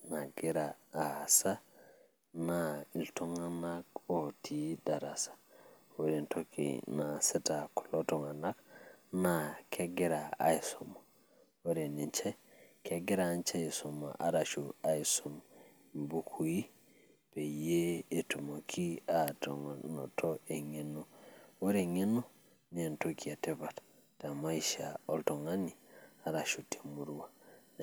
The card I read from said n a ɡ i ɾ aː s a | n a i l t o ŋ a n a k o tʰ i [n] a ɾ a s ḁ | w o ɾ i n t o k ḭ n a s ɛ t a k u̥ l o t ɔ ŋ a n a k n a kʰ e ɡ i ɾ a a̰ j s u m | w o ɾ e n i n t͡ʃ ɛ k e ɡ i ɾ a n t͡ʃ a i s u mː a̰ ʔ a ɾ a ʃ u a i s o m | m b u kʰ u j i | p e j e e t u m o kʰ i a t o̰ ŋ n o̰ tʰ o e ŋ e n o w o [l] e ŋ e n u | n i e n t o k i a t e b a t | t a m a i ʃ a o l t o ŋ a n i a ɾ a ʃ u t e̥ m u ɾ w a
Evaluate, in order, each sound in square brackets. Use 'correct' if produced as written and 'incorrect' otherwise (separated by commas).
incorrect, incorrect